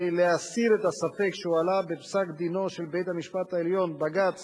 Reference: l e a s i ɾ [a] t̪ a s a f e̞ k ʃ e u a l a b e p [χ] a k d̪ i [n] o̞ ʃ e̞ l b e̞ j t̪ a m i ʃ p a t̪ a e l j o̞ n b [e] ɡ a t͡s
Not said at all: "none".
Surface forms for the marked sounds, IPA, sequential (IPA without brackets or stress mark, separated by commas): e, s, n, a